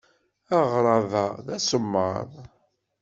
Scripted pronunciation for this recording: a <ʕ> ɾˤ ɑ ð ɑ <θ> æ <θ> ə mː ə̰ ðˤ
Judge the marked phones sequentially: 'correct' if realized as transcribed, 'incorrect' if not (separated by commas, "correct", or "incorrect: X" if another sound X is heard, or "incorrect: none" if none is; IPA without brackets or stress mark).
incorrect: ʁ, incorrect: ð, incorrect: s